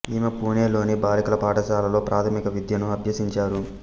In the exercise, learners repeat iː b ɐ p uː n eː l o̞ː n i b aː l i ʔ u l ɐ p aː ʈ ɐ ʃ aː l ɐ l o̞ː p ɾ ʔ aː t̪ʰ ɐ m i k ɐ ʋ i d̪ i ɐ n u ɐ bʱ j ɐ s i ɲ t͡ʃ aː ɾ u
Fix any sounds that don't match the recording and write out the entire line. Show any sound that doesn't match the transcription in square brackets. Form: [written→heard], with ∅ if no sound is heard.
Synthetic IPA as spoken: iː [b→m] ɐ p uː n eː l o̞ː n i b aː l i [ʔ→k] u l ɐ p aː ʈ ɐ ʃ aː l ɐ l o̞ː p ɾ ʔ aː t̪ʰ ɐ m i k ɐ ʋ i d̪ [i→j] ɐ n u ɐ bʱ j ɐ s i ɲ t͡ʃ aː ɾ u